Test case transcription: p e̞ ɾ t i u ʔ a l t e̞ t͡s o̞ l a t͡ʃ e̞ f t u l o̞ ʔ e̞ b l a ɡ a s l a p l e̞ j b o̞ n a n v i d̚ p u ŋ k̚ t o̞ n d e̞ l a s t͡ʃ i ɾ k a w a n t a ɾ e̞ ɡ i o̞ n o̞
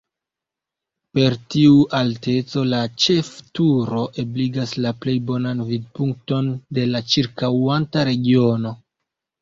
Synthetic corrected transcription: p e̞ ɾ t i u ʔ a l t e̞ t͡s o̞ l a t͡ʃ e̞ f t u ɾ o̞ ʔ e̞ b l i ɡ a s l a p l e̞ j b o̞ n a n v i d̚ p u ŋ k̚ t o̞ n d e̞ l a t͡ʃ i ɾ k a w a n t a ɾ e̞ ɡ i o̞ n o̞

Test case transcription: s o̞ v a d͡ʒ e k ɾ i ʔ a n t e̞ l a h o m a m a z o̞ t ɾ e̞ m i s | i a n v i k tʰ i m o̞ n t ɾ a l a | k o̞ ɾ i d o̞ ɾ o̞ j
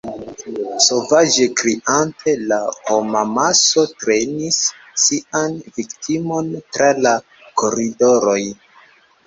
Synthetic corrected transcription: s o̞ v a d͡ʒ e k ɾ i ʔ a n t e̞ l a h o m a m a s o̞ t ɾ e̞ n i sː | i a n v i k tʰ i m o̞ n t ɾ a l a | k o̞ ɾ i d o̞ ɾ o̞ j

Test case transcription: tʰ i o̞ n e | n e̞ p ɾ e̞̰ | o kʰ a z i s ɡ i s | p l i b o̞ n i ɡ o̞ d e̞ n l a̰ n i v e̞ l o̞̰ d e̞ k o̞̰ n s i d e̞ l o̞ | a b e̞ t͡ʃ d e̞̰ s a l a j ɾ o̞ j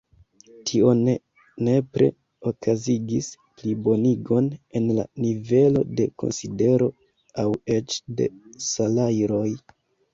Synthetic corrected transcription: tʰ i o̞ n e | n e̞ p ɾ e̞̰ | o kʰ a z i ɡ i s | p l i b o̞ n i ɡ o̞ n e̞ n l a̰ n i v e̞ l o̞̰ d e̞ k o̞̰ n s i d e̞ ɾ o̞ | a w e̞ t͡ʃ d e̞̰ s a l a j ɾ o̞ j

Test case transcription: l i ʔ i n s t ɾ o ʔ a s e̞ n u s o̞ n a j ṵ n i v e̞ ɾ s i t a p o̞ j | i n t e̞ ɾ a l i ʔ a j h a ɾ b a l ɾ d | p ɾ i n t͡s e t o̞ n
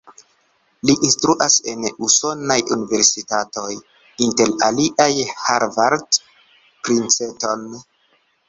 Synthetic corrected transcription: l i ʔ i n s t ɾ u ʔ a s e̞ n u s o̞ n a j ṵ n i v e̞ ɾ s i t a t o̞ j | i n t e̞ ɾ a l i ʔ a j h a ɾ v a ɾ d | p ɾ i n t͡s e t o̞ n

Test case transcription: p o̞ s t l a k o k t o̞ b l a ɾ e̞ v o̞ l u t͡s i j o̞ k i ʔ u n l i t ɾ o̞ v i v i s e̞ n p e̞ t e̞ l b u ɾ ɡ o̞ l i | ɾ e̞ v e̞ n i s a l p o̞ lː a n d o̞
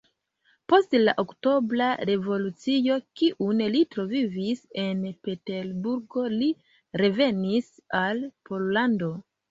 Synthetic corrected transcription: p o̞ s t l a ʔ o k t o̞ b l a ɾ e̞ v o̞ l u t͡s i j o̞ k i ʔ u n l i t ɾ o̞ v i v i s e̞ n p e̞ t e̞ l b u ɾ ɡ o̞ l i | ɾ e̞ v e̞ n i s a l p o̞ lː a n d o̞

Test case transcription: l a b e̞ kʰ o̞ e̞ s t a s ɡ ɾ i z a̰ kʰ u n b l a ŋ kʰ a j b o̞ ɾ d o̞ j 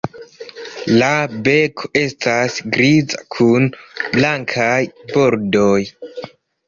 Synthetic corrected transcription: l a b e̞ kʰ o̞ e̞ s t a s ɡ ɾ i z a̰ kʰ u n b l a ŋ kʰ a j b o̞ ɾ d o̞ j

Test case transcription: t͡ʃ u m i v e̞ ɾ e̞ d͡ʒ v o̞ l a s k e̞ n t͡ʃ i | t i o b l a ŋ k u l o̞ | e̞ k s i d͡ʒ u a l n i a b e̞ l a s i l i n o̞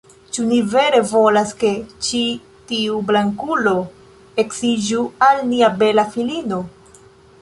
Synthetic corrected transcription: t͡ʃ u n i v e̞ ɾ e̞ v o̞ l a s k e̞ t͡ʃ i | t i u b l a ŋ k u l o̞ | e̞ k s i d͡ʒ u a l n i a b e̞ l a f i l i n o̞

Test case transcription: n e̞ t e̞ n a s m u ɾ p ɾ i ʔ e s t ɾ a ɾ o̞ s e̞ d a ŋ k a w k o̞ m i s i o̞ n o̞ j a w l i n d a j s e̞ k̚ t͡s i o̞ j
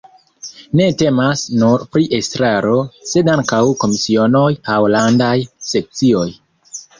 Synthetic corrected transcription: n e̞ t e̞ m a s n u ɾ p ɾ i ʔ e s t ɾ a ɾ o̞ s e̞ d a ŋ k a w k o̞ m i s i o̞ n o̞ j a w l a n d a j s e̞ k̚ t͡s i o̞ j

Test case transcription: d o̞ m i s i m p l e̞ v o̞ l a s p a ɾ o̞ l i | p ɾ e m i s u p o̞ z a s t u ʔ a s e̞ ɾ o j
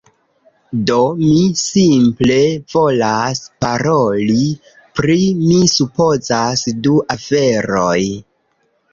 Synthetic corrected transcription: d o̞ m i s i m p l e̞ v o̞ l a s p a ɾ o̞ l i | p ɾ i m i s u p o̞ z a s d u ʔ a f e̞ ɾ o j

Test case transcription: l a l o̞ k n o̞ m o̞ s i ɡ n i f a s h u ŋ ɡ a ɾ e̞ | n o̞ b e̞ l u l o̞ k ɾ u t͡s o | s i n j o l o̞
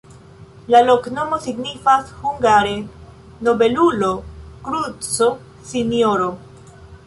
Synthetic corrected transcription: l a l o̞ k n o̞ m o̞ s i ɡ n i f a s h u ŋ ɡ a ɾ e̞ | n o̞ b e̞ l u l o̞ k ɾ u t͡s o | s i n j o ɾ o̞

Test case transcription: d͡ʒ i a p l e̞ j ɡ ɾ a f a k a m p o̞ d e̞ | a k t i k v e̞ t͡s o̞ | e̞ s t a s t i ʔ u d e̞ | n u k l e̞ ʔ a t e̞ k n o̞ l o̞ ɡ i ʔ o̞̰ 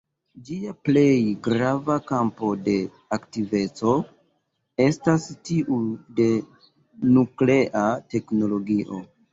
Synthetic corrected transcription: d͡ʒ i a p l e̞ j ɡ ɾ a v a k a m p o̞ d e̞ | a k t i v e̞ t͡s o̞ | e̞ s t a s t i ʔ u d e̞ | n u k l e̞ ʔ a t e̞ k n o̞ l o̞ ɡ i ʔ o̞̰

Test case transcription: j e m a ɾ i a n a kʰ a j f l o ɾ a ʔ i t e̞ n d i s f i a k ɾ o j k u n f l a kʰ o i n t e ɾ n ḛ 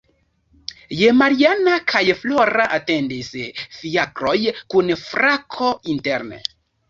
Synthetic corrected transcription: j e m a ɾ i a n a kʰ a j f l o ɾ a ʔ a t e̞ n d i s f i a k ɾ o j k u n f ɾ a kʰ o i n t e ɾ n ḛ

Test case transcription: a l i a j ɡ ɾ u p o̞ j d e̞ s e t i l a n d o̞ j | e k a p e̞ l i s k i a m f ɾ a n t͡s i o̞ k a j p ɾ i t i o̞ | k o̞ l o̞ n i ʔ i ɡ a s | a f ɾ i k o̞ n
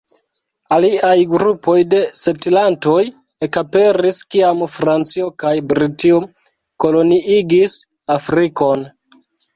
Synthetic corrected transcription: a l i a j ɡ ɾ u p o̞ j d e̞ s e t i l a n t o̞ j | e k a p e̞ ɾ i s k i a m f ɾ a n t͡s i o̞ k a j b ɾ i t i o̞ | k o̞ l o̞ n i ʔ i ɡ i s | a f ɾ i k o̞ n

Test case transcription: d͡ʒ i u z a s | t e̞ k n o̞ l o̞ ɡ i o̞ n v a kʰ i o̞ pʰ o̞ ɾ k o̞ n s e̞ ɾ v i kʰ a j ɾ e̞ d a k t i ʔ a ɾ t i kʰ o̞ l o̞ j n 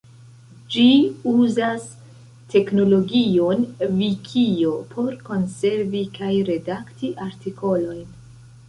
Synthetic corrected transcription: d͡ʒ i u z a s | t e̞ k n o̞ l o̞ ɡ i o̞ n v i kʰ i o̞ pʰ o̞ ɾ k o̞ n s e̞ ɾ v i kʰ a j ɾ e̞ d a k t i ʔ a ɾ t i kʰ o̞ l o̞ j n

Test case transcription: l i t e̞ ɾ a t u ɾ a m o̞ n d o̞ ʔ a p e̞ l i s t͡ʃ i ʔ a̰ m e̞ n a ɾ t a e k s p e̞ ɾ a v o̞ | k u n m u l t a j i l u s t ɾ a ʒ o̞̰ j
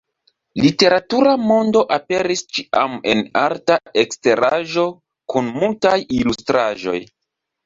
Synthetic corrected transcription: l i t e̞ ɾ a t u ɾ a m o̞ n d o̞ ʔ a p e̞ ɾ i s t͡ʃ i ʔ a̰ m e̞ n a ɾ t a e k s t e̞ ɾ a ʒ o̞ | k u n m u l t a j i l u s t ɾ a ʒ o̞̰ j

